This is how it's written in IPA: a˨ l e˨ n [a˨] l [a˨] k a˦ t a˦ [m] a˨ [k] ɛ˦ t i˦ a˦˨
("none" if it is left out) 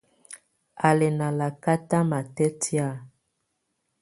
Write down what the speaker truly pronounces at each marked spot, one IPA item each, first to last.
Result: a˨, a˨, m, t

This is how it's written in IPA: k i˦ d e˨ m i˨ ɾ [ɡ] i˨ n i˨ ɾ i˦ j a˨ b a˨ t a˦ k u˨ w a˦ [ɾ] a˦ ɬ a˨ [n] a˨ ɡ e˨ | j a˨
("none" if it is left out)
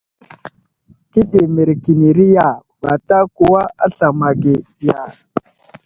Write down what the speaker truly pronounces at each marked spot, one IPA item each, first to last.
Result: k, none, m

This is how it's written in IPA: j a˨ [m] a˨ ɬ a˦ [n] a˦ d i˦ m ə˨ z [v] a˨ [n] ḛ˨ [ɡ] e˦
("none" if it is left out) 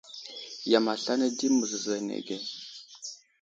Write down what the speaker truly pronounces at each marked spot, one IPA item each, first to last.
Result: m, n, z, n, ɡ

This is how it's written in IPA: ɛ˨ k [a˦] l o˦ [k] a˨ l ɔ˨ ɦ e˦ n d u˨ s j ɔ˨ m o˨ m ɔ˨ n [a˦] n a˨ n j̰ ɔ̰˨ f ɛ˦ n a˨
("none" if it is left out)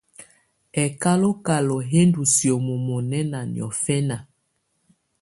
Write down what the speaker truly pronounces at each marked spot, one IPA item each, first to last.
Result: a˦, k, ɛ˦

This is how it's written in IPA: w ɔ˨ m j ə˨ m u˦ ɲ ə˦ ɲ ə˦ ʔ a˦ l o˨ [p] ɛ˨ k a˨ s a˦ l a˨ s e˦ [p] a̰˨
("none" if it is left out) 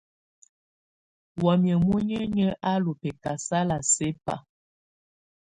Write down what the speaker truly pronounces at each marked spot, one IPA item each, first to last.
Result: p, p

